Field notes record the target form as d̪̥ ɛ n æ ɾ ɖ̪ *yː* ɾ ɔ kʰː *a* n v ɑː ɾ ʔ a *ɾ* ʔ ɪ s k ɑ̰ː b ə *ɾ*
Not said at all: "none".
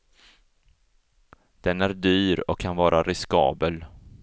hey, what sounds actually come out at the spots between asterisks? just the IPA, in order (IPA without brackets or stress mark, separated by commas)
yː, a, ɾ, l